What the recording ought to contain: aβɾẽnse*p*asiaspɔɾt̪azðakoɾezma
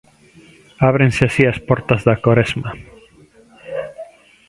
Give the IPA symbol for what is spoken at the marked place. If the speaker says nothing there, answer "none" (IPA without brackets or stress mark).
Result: none